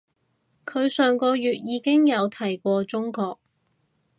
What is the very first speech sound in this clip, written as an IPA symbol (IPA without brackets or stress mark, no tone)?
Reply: kʰ